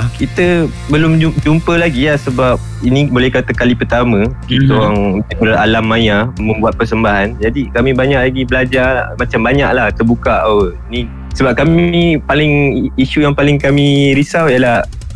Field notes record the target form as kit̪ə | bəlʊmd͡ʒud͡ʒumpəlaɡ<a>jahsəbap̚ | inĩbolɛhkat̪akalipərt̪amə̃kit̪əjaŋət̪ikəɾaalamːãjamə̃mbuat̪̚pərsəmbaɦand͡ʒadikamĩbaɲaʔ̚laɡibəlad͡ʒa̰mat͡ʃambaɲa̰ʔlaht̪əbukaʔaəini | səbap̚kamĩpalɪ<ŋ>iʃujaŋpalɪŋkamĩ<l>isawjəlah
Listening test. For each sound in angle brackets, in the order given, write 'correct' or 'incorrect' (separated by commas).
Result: incorrect, correct, incorrect